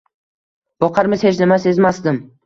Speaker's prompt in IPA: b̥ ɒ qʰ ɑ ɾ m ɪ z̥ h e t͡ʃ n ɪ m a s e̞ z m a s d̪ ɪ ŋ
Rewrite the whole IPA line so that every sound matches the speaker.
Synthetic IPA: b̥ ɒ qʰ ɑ ɾ m ɪ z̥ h e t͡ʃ n ɪ m a s e̞ z m a s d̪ ɪ m